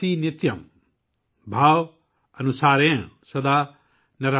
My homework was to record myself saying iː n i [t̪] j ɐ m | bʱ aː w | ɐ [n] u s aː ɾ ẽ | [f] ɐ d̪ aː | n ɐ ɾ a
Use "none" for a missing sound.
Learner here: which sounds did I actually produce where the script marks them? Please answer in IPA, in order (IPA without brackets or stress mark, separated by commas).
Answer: t̪, n, s